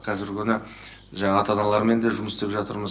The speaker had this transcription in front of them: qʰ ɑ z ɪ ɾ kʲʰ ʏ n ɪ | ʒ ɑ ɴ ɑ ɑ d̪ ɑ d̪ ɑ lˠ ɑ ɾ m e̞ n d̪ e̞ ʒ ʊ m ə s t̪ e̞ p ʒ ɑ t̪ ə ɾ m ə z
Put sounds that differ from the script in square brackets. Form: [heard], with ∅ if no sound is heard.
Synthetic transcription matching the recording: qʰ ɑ z ɪ ɾ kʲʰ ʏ n ɪ | ʒ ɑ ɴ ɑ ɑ [t̪] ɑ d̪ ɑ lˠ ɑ ɾ m e̞ n d̪ e̞ ʒ ʊ m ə s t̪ e̞ p ʒ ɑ t̪ ə ɾ m ə z